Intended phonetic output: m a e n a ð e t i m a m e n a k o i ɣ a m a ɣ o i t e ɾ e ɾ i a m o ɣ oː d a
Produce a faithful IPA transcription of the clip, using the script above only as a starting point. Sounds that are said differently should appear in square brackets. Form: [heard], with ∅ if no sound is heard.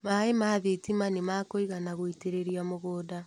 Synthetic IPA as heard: m a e [m] a ð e t i m a [n] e [m] a k o i ɣ a [n] a ɣ o i t e ɾ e ɾ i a m o ɣ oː d a